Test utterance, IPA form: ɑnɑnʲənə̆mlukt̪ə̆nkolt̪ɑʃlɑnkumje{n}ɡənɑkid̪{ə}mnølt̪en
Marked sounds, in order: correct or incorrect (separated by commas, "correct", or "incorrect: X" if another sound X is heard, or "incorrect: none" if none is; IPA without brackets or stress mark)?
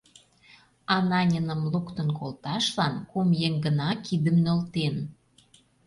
incorrect: ŋ, correct